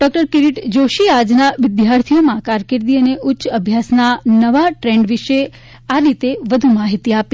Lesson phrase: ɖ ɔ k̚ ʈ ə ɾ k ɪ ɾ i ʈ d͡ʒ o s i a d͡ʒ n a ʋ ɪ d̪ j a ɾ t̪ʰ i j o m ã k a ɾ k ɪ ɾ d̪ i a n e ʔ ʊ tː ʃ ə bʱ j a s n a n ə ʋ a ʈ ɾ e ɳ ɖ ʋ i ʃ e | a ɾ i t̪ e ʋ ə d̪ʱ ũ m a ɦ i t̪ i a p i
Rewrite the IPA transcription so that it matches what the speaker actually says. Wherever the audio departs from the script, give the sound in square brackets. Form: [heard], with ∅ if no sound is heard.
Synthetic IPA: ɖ ɔ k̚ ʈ ə ɾ k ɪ ɾ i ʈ d͡ʒ o [ʃ] i a d͡ʒ n a ʋ ɪ d̪ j a ɾ t̪ʰ i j o m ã k a ɾ k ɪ ɾ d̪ i [ə] n e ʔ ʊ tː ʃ ə bʱ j a s n a n ə ʋ a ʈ ɾ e ɳ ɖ ʋ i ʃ e | a ɾ i t̪ e ʋ ə d̪ʱ [u] m a ɦ i t̪ i a p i